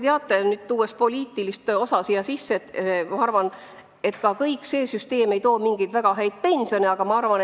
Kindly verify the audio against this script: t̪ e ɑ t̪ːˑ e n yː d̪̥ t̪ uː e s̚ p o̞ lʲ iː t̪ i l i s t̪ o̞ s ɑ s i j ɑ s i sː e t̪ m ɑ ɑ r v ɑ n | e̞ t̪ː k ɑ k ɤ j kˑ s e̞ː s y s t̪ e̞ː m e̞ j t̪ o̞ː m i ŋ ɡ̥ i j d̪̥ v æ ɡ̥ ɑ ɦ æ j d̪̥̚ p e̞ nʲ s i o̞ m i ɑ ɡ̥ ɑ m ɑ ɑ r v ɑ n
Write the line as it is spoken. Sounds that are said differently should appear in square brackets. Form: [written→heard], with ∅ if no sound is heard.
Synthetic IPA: t̪ e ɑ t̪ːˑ e n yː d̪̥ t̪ uː e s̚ p o̞ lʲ iː t̪ i l i s t̪ o̞ s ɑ s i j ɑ s i sː e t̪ m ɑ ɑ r v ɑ n | e̞ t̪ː k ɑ k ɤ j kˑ s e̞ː s y s t̪ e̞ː m e̞ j t̪ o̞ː m i ŋ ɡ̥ i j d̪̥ v æ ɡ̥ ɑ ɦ æ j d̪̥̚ p e̞ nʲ s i o̞ [m→n] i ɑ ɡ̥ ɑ m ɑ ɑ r v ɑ n